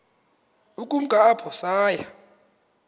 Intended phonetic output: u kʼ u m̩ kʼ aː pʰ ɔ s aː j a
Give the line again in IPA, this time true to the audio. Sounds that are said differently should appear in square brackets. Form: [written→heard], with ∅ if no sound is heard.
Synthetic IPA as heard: u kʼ u m̩ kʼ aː pʰ ɔ s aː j a